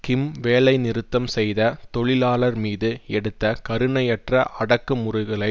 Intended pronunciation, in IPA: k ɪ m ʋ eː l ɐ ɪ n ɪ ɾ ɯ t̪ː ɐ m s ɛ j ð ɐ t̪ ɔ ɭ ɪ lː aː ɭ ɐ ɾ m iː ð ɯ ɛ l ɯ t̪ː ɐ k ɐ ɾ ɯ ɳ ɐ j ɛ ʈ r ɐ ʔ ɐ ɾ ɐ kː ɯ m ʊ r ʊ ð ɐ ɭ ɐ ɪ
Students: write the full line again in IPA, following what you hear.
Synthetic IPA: k ɪ m ʋ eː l ɐ ɪ n ɪ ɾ ɯ t̪ː ɐ m s ɛ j ð ɐ t̪ ɔ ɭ ɪ l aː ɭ ɐ ɾ m iː ð ɯ ɛ ɽ ɯ t̪ː ɐ k ɐ ɾ ɯ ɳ ɐ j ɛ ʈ r ɐ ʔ ɐ ɽ ɐ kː ɯ m ʊ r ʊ ɣ ɐ ɭ ɐ ɪ